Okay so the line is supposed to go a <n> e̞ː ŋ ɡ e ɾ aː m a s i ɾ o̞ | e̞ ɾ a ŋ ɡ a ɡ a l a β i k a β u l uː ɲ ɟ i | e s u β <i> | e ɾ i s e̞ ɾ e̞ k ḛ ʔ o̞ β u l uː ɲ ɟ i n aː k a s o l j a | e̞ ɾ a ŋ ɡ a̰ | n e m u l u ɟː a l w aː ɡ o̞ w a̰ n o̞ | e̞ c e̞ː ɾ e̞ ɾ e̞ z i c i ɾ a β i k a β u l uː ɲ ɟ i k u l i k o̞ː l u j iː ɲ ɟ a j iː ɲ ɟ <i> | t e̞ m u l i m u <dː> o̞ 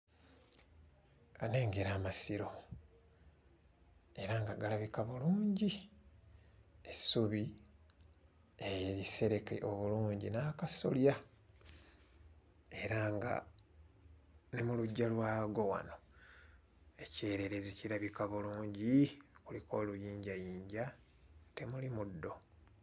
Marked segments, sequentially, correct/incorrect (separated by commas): correct, correct, incorrect, correct